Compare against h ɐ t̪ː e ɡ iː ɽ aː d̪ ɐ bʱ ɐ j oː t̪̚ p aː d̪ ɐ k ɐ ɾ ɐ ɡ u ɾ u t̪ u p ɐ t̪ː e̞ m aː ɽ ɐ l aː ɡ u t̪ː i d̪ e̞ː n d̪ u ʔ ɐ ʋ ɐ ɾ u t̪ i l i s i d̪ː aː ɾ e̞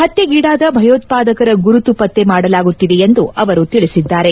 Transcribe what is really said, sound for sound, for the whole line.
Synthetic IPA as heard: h ɐ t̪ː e ɡ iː ɽ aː d̪ ɐ bʱ ɐ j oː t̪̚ p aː d̪ ɐ k ɐ ɾ ɐ ɡ u ɾ u t̪ u p ɐ t̪ː e̞ m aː ɽ ɐ l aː ɡ u t̪ː i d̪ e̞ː n d̪ u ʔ ɐ ʋ ɐ ɾ u t̪ i ɭ i s i d̪ː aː ɾ e̞

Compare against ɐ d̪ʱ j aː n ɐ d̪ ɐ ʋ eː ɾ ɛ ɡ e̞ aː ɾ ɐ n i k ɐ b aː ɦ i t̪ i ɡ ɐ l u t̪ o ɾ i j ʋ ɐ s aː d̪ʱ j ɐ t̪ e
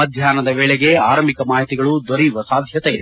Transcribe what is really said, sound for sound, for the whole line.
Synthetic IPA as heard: ɐ d̪ʱ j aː n ɐ d̪ ɐ ʋ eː ɭ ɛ ɡ e̞ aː ɾ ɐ m i k ɐ m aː ɦ i t̪ i ɡ ɐ ɭ u d̪ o ɾ i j ʋ ɐ s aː d̪ʱ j ɐ t̪ e

